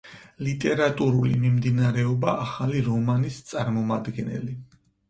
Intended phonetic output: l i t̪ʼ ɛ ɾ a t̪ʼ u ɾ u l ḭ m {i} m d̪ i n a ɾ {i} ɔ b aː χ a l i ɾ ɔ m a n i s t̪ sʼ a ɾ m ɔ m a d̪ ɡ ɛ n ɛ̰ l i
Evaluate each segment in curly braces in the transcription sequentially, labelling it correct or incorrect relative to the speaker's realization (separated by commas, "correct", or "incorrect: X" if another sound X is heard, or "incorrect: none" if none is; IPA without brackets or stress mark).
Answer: correct, incorrect: ɛ